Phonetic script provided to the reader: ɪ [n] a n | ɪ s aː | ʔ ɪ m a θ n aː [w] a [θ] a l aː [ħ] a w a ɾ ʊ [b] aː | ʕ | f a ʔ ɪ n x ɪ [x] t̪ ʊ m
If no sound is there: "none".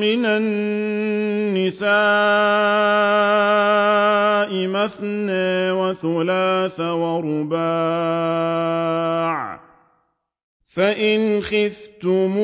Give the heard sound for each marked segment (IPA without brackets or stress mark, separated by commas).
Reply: n, w, θ, θ, b, f